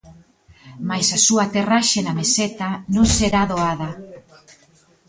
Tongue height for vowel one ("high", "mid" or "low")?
low